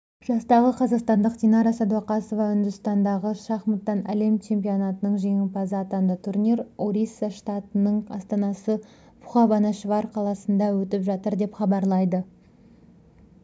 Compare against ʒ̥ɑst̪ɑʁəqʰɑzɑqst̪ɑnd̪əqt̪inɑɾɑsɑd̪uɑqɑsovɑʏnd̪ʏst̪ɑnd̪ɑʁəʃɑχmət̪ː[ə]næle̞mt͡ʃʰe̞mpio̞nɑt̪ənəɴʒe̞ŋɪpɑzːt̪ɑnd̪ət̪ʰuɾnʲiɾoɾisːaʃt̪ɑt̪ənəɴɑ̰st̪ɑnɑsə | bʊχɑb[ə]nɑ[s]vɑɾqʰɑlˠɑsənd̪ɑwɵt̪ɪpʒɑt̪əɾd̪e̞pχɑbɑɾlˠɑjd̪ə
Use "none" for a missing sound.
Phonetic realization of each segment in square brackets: ɑ, ɑ, ʃ

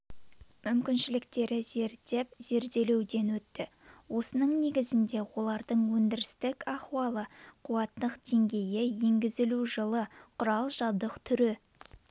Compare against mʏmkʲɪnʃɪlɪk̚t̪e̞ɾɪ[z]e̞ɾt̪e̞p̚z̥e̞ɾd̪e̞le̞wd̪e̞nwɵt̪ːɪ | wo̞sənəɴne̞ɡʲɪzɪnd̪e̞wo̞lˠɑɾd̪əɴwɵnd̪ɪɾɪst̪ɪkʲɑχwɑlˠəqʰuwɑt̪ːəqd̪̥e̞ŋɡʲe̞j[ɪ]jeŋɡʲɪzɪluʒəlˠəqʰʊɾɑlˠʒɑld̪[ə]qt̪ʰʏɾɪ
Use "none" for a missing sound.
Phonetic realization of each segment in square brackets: z, ɪ, ə

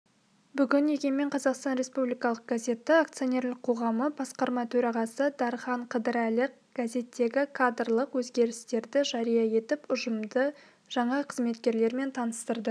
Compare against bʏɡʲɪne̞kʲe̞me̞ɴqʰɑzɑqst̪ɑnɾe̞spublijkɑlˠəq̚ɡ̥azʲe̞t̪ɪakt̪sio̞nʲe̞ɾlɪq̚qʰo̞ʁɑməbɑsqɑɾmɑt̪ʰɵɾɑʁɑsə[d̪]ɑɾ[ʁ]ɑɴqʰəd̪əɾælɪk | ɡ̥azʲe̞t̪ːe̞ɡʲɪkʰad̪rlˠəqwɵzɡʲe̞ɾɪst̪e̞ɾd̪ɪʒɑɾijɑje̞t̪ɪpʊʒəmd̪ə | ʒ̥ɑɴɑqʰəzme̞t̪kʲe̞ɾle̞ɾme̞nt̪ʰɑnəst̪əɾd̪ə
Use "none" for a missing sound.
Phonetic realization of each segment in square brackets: d̪, χ

